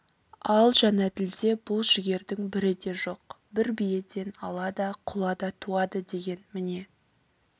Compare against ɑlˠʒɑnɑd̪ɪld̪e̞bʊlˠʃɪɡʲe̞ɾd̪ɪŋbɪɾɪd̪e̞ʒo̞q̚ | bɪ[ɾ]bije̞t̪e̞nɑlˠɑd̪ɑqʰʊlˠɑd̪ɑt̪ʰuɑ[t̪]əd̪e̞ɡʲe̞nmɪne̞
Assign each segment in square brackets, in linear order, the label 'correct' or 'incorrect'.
correct, incorrect

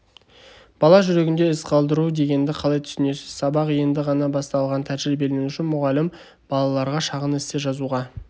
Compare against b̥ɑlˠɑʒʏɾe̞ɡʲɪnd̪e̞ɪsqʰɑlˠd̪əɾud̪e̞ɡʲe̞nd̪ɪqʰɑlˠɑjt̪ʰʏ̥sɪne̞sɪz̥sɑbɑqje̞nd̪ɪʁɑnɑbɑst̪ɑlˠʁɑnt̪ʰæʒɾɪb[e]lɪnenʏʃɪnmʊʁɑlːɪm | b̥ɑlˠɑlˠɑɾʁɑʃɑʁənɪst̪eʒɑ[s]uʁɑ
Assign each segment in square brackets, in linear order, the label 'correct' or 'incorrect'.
correct, incorrect

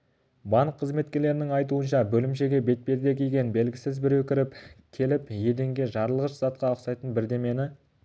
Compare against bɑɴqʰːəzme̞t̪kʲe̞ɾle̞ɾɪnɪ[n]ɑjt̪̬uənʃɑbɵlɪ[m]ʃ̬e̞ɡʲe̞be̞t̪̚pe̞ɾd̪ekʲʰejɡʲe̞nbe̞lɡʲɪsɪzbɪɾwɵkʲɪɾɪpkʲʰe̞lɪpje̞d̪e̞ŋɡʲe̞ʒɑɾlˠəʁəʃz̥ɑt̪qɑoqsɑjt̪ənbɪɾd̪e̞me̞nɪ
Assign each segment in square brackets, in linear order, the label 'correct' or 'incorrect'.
incorrect, correct

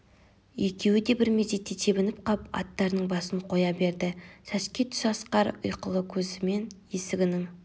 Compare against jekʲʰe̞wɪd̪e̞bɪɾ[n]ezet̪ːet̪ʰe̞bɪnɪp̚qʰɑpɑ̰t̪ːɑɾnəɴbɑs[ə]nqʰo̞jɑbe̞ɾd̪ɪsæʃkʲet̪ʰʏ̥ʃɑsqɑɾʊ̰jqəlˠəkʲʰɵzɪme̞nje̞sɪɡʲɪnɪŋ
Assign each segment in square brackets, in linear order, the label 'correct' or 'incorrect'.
incorrect, correct

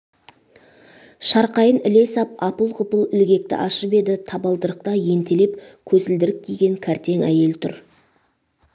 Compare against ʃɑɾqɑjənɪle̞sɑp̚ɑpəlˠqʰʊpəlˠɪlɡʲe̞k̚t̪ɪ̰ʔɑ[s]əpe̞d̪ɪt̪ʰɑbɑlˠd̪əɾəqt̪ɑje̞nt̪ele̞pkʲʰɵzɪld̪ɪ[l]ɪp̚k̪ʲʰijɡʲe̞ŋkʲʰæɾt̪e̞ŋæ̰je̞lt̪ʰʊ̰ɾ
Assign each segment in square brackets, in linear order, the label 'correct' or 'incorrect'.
incorrect, incorrect

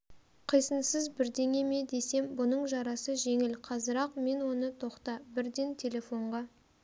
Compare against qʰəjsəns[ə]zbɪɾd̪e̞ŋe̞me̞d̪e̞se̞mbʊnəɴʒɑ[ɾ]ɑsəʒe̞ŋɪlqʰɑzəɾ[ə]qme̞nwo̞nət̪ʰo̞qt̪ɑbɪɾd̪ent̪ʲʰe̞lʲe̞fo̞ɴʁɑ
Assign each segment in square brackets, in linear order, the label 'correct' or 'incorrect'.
correct, correct, incorrect

